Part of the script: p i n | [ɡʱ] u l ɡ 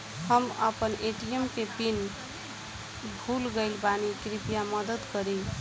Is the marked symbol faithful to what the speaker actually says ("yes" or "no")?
no